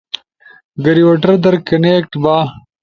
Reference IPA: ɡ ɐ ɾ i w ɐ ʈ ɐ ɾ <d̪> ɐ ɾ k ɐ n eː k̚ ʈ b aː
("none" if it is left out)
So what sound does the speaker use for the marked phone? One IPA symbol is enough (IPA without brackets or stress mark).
d̪